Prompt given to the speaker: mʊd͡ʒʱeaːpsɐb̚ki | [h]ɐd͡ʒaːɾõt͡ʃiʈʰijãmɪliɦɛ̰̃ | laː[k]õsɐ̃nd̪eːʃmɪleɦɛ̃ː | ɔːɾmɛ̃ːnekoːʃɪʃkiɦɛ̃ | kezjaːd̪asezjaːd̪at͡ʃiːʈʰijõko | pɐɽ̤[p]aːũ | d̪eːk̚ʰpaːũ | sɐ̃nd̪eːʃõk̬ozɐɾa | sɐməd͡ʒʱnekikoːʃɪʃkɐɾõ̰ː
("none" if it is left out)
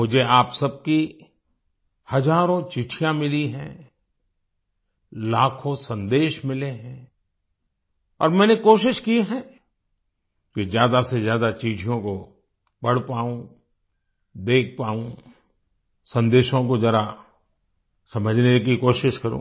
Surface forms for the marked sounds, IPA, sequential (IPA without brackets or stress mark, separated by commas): h, kʰ, p